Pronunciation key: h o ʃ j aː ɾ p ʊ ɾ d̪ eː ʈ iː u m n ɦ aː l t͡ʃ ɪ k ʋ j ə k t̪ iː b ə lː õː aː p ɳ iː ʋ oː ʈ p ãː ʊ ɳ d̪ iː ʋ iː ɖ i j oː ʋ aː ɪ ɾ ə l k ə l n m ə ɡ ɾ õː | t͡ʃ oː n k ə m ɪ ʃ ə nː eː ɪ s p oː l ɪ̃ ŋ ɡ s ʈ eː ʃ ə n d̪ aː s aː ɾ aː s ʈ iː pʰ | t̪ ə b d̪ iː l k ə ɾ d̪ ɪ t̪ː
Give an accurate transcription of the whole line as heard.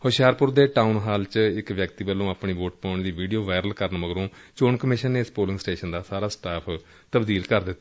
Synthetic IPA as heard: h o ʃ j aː ɾ p ʊ ɾ d̪ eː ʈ aː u n ɦ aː l t͡ʃ ɪ k ʋ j ə k t̪ iː b ə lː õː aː p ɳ iː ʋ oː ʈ p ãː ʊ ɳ d̪ iː ʋ iː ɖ i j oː ʋ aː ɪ ɾ ə l k ə ɾ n m ə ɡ ɾ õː | t͡ʃ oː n k ə m ɪ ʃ ə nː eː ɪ s p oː l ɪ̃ ŋ ɡ s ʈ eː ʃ ə n d̪ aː s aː ɾ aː s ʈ aː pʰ | t̪ ə b d̪ iː l k ə ɾ d̪ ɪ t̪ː